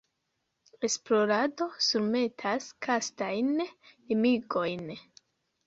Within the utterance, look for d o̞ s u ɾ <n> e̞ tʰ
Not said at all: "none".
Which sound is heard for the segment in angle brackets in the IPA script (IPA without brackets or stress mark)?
m